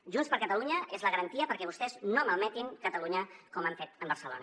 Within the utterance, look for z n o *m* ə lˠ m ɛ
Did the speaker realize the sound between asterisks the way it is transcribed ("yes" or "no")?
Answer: yes